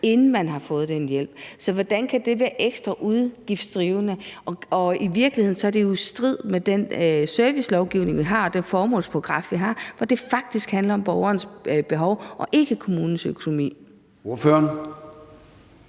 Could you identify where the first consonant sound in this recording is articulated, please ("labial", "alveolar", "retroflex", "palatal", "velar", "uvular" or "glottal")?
alveolar